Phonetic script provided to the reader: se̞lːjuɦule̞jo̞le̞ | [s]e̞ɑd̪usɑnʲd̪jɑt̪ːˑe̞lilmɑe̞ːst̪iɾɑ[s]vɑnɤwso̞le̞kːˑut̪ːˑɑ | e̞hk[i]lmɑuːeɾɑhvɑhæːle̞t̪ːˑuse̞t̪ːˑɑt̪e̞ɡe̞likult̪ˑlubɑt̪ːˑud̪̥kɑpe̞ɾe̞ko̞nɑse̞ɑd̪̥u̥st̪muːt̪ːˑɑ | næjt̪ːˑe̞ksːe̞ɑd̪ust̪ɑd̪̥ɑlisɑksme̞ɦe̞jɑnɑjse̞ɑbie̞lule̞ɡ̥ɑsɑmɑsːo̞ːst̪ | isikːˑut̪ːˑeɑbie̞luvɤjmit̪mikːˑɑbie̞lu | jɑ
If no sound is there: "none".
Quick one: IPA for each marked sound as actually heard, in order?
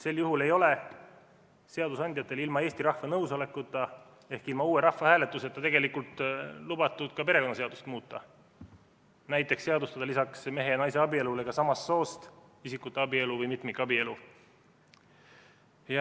s, h, i

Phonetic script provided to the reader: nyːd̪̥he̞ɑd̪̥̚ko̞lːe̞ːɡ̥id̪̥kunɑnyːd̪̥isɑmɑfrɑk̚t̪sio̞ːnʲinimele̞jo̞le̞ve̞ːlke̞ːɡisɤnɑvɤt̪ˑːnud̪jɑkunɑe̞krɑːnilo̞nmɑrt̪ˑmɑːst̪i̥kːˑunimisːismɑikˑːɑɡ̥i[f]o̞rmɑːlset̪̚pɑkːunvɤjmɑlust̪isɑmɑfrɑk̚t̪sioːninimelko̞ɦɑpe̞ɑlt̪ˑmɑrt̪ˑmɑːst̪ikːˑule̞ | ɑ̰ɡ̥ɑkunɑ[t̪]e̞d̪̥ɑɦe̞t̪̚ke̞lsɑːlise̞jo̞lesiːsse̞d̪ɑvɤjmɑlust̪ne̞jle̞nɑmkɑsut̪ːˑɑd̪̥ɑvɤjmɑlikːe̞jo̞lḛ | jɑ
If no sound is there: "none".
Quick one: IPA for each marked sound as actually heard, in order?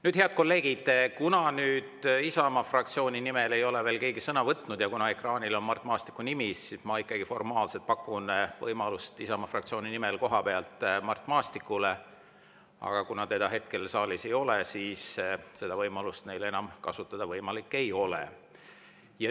f, t̪

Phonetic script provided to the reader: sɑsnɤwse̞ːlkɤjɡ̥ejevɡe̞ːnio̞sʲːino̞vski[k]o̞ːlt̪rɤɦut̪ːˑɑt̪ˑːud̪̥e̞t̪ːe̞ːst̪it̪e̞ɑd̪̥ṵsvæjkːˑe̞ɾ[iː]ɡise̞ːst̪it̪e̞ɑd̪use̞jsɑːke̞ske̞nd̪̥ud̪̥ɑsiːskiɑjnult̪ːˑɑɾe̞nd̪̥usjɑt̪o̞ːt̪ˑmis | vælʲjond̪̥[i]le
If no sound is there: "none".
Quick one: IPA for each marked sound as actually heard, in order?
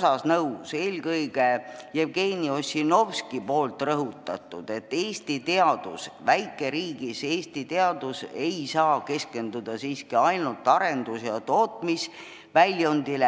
p, iː, i

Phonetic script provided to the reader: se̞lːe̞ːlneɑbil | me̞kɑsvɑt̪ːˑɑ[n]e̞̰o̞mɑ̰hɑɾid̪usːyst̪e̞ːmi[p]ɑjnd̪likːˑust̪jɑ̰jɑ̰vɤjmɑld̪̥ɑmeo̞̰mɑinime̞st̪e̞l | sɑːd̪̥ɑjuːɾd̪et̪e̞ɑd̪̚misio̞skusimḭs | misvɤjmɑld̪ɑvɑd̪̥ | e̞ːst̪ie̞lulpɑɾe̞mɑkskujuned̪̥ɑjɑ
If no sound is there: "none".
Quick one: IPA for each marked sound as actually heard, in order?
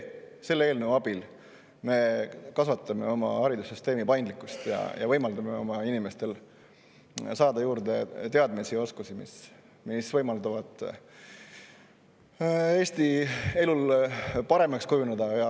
m, p

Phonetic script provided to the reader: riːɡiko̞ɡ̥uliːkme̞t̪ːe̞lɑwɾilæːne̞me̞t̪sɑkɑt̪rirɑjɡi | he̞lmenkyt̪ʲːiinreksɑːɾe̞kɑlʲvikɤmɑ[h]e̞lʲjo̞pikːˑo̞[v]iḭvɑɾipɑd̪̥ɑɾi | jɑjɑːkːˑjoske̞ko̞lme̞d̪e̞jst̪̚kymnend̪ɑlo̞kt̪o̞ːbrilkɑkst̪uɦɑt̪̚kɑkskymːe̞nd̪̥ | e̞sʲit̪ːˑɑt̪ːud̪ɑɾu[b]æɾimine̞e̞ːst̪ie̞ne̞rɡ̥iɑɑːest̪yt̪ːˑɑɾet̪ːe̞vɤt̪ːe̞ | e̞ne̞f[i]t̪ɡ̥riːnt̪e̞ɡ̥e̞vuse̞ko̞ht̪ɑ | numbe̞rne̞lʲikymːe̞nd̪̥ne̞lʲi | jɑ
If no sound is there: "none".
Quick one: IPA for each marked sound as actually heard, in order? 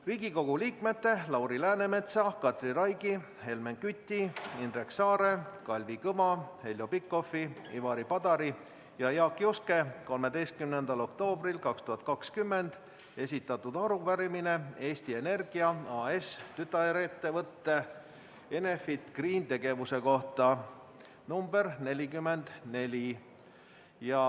h, f, v, i

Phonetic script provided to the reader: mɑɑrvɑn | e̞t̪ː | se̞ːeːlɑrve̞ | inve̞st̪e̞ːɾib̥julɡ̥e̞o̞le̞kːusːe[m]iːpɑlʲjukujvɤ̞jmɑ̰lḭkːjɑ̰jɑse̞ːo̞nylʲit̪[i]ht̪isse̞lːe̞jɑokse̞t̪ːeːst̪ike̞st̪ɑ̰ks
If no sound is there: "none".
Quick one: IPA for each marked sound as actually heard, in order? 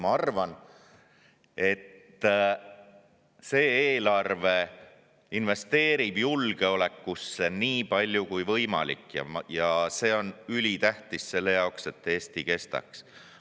n, æ

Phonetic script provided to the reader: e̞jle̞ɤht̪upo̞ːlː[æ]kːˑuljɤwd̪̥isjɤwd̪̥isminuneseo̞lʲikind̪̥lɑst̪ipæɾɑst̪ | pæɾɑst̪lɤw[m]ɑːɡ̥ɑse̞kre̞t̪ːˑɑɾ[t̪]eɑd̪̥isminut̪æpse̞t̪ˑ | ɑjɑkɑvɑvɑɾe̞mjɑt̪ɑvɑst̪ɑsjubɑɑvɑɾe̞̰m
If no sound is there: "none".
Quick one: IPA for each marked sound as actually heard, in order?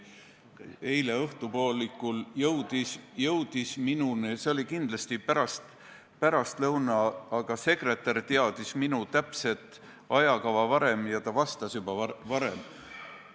i, n, t̪

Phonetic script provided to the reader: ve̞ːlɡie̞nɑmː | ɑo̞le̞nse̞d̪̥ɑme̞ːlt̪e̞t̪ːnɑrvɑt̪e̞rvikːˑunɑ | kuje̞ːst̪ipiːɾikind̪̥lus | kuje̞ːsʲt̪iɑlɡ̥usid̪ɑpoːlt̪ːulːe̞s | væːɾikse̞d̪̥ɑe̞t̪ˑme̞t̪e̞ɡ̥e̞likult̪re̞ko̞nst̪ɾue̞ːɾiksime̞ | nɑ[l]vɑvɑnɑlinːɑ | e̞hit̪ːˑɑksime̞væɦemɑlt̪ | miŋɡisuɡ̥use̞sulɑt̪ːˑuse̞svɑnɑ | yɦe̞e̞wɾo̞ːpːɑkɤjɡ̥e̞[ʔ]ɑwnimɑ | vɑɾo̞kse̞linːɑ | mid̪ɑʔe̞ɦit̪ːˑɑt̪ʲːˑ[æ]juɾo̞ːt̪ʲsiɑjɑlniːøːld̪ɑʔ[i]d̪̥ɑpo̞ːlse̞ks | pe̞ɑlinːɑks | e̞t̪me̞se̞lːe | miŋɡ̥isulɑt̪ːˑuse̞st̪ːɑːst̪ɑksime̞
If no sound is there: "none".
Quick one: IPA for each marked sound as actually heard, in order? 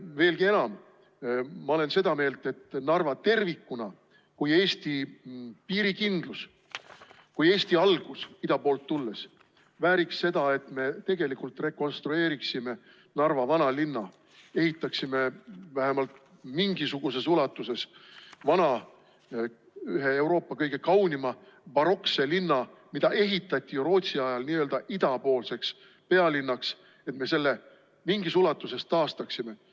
r, k, i, i

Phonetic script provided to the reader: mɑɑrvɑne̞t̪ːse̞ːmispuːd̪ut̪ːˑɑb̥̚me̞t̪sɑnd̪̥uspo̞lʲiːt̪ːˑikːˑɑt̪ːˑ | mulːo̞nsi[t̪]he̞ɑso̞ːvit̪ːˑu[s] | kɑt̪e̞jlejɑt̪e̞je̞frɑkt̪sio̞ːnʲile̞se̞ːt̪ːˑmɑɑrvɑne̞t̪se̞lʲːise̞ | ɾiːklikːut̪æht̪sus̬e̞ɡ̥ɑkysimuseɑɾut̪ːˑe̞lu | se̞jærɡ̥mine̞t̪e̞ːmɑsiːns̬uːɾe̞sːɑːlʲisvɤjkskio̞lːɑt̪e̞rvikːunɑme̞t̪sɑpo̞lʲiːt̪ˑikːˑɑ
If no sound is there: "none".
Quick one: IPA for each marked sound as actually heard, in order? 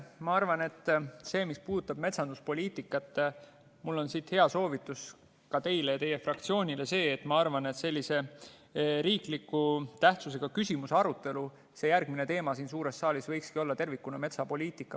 t̪, s

